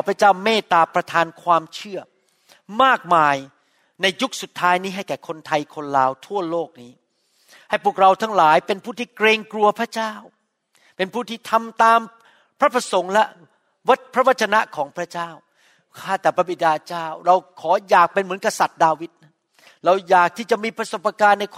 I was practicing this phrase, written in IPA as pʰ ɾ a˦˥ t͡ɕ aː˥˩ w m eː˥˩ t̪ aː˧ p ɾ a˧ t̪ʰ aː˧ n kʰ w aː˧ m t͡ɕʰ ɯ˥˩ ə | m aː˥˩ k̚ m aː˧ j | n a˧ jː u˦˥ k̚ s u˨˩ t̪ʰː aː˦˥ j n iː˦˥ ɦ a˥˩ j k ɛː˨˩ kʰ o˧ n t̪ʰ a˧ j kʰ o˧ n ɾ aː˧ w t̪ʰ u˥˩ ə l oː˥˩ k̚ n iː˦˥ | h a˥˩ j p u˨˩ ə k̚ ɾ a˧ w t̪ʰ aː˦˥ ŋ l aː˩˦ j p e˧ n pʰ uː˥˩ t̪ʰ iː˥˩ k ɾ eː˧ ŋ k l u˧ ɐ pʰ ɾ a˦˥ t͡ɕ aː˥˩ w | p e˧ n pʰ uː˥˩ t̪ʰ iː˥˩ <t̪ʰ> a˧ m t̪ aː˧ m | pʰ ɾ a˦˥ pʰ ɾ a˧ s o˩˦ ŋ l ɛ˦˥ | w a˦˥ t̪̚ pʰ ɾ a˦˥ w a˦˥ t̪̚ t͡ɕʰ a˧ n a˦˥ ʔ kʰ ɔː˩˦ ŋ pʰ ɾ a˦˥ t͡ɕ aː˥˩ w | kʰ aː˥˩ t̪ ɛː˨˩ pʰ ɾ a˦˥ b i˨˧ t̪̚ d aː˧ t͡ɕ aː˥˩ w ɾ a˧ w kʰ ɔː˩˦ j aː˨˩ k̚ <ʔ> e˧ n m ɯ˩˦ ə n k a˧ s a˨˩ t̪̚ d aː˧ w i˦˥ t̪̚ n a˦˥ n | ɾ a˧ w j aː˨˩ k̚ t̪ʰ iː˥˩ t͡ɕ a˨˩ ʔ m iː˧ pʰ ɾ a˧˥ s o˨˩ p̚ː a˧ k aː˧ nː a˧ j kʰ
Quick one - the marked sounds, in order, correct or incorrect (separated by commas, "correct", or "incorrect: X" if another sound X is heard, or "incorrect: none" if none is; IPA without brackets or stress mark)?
correct, incorrect: p